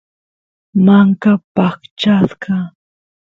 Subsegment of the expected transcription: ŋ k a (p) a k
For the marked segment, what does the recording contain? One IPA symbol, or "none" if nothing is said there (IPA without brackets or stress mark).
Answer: p